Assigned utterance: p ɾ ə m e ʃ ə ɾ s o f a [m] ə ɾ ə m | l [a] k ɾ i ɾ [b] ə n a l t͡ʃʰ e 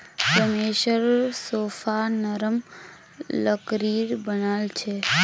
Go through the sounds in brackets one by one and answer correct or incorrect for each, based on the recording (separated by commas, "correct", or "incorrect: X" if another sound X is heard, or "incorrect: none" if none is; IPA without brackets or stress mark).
incorrect: n, incorrect: ə, correct